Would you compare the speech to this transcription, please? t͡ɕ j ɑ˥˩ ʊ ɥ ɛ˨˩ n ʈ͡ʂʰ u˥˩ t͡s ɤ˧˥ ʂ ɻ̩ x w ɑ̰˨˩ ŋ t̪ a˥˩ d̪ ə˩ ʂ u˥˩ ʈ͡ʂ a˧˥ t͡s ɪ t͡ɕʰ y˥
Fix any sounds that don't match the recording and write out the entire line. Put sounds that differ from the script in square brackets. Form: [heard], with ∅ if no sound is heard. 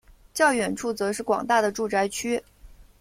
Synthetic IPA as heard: t͡ɕ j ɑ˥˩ ʊ ɥ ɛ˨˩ n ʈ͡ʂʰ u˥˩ t͡s ɤ˧˥ ʂ ɻ̩ [k] w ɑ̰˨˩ ŋ t̪ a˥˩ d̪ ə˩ [ʈ͡ʂ] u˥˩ ʈ͡ʂ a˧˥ [∅] ɪ t͡ɕʰ y˥